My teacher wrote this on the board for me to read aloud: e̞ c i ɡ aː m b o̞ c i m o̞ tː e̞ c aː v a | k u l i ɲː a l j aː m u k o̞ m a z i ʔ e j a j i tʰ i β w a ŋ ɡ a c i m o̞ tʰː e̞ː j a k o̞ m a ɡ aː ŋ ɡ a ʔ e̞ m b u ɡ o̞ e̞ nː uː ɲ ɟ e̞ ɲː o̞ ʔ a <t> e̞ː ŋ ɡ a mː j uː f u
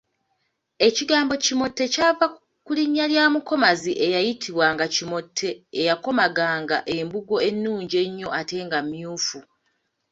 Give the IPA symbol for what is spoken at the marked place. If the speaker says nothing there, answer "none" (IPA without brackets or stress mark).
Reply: t